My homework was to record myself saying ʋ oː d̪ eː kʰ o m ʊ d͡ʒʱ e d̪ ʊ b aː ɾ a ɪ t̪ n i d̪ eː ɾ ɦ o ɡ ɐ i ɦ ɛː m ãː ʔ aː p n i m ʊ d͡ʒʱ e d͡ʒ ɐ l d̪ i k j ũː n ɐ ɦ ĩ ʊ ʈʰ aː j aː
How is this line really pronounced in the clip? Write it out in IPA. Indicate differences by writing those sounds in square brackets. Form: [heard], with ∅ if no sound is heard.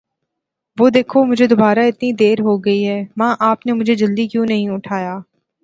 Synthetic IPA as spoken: ʋ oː d̪ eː kʰ o m ʊ d͡ʒʱ e d̪ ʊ b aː ɾ a ɪ t̪ n i d̪ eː ɾ ɦ o ɡ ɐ i ɦ ɛː m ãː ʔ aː p n [e] m ʊ d͡ʒʱ e d͡ʒ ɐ l d̪ i k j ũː n ɐ ɦ ĩ ʊ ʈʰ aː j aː